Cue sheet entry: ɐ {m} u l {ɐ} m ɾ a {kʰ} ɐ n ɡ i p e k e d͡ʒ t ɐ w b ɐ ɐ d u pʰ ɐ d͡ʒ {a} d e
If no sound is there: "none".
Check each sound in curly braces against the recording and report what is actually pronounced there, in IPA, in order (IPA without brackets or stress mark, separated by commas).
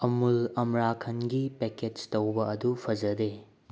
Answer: m, ɐ, kʰ, ɐ